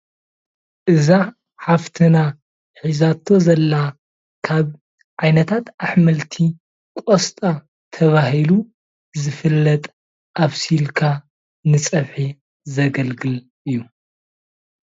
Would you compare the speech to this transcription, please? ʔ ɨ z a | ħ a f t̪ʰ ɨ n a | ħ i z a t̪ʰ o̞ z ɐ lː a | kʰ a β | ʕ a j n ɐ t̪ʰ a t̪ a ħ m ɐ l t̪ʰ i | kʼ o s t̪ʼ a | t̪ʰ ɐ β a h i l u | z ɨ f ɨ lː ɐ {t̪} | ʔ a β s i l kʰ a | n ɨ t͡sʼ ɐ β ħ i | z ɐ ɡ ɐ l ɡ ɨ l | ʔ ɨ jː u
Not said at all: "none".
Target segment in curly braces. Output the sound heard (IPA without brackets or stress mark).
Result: t̪ʼ